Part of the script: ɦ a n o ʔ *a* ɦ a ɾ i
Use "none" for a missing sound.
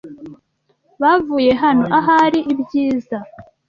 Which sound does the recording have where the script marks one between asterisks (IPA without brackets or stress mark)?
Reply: a